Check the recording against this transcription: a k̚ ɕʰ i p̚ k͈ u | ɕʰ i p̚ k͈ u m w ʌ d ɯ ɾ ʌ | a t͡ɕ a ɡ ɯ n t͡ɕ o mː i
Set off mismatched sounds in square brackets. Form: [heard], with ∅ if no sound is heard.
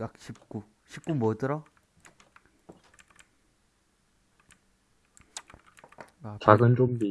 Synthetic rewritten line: a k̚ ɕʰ i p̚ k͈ u | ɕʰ i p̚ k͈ u m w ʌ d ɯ ɾ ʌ | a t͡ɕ a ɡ ɯ n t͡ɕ o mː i